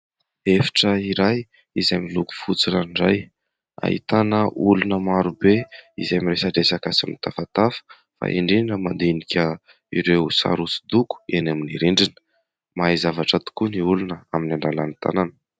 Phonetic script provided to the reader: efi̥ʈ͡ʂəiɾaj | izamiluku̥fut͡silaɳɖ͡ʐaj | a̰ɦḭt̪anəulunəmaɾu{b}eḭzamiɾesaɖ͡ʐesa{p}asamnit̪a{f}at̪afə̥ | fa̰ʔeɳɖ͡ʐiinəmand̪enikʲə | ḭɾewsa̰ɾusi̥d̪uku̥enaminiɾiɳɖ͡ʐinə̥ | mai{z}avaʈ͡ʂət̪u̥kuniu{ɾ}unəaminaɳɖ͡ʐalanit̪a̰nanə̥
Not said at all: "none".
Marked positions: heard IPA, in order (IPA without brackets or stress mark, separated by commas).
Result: b, k, f, z, l